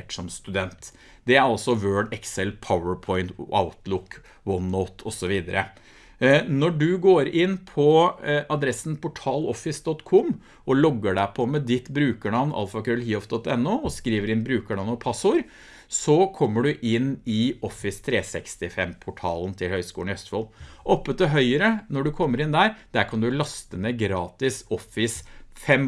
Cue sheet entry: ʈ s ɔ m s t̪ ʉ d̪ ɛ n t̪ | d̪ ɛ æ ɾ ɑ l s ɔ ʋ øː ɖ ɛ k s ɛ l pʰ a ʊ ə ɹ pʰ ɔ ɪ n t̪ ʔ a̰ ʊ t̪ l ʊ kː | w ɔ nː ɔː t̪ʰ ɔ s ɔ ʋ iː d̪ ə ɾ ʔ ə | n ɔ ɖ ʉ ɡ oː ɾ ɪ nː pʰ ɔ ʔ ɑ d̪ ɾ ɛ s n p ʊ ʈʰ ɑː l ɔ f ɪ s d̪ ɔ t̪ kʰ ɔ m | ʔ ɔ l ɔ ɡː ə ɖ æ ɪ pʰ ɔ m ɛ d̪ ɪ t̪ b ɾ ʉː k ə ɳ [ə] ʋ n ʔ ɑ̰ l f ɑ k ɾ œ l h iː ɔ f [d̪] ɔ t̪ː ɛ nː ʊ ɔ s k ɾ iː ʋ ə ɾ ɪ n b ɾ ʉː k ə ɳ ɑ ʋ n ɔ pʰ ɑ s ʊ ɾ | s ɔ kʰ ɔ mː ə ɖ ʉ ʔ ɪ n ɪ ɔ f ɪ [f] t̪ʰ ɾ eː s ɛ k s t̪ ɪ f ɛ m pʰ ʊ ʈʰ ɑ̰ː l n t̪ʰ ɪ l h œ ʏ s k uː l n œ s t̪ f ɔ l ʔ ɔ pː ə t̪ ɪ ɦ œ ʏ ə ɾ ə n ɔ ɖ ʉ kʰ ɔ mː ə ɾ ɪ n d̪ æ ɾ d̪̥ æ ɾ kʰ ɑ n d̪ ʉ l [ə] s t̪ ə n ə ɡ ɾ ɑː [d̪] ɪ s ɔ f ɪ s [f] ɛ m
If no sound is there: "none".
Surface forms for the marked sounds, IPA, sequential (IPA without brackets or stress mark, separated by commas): ɑ, d̪, s, ɑ, t̪, f